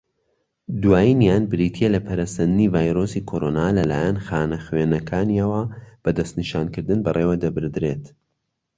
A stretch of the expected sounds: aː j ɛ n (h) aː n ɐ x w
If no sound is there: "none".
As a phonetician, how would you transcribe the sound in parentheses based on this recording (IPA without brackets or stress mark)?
x